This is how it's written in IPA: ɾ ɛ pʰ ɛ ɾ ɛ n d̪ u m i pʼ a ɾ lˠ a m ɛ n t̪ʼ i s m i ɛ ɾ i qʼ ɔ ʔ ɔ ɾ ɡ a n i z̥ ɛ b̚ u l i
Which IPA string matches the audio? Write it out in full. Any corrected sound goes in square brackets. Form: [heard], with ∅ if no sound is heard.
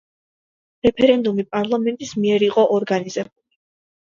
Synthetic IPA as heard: ɾ ɛ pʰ ɛ ɾ ɛ n d̪ u m i pʼ a ɾ lˠ a m ɛ n t̪ʼ i s m i ɛ ɾ i qʼ ɔ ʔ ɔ ɾ ɡ a n i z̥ ɛ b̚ u l i